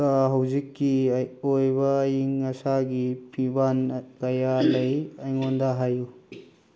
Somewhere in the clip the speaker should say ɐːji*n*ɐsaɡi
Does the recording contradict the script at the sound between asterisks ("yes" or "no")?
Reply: yes